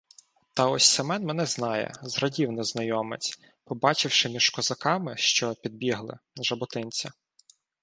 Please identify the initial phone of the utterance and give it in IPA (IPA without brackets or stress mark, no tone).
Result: t̪